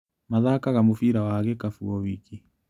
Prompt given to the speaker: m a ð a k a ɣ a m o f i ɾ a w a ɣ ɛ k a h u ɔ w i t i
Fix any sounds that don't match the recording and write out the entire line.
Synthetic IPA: m a ð a k a ɣ a m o f i ɾ a w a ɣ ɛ k a f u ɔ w i k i

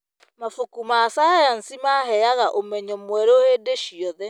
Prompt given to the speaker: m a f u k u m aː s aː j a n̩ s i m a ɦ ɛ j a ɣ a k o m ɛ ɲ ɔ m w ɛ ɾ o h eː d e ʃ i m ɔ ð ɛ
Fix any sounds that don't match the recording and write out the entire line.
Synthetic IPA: m a f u k u m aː s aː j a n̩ s i m a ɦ ɛ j a ɣ a ʔ o m ɛ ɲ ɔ m w ɛ ɾ o h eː d e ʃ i ɔ ð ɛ

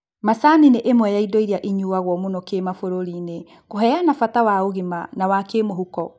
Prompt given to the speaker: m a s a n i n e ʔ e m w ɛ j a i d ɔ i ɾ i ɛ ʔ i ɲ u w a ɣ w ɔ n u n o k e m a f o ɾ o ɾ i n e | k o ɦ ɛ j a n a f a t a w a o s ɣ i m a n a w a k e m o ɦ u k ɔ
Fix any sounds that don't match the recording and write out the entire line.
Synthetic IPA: m a s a n i n e ʔ e m w ɛ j a i d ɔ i ɾ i a ʔ i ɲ u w a ɣ w ɔ m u n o k e m a f o ɾ o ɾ i n e | k o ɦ ɛ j a n a f a t a w a o ɣ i m a n a w a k e m o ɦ u k ɔ

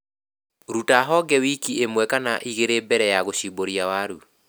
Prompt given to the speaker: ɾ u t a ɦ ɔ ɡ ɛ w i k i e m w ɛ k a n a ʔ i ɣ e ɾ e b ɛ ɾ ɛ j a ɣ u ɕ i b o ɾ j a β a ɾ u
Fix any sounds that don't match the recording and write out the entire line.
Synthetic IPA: ɾ u t a ɦ ɔ ɡ ɛ w i k i e m w ɛ k a n a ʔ i ɣ e ɾ e b ɛ ɾ ɛ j a ɣ o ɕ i b o ɾ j a w a ɾ u

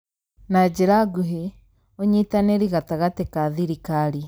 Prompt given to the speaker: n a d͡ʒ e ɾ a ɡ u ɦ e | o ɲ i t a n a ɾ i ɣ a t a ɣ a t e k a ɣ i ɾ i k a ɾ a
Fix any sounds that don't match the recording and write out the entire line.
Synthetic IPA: n a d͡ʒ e ɾ a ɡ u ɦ e | o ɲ i t a n e ɾ i ɣ a t a ɣ a t e k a ð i ɾ i k a ɾ i

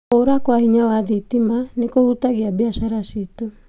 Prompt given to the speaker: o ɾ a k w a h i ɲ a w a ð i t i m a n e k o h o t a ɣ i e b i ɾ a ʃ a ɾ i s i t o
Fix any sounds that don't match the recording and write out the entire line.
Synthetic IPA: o ɾ a k w a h i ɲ a w a ð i t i m a n e k o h u t a ɣ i a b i a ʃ a ɾ a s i t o

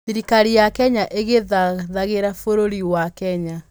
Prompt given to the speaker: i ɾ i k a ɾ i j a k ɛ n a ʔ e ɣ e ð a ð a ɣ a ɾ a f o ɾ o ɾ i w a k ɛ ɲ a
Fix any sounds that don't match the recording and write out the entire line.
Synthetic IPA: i ɾ i k a ɾ i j a k ɛ ɲ a ʔ e ɣ e ð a ð a ɣ e ɾ a f o ɾ o ɾ i w a k ɛ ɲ a

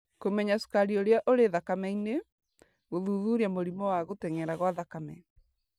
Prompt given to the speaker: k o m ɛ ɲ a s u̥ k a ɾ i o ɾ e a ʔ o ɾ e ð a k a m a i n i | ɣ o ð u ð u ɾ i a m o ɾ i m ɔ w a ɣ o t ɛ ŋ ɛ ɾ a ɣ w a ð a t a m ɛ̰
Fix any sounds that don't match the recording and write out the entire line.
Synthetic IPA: k o m ɛ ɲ a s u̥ k a ɾ i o ɾ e a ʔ o ɾ e ð a k a m ɛ i n e | ɣ o ð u ð u ɾ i a m o ɾ i m ɔ w a ɣ o t ɛ ŋ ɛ ɾ a ɣ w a ð a k a m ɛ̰

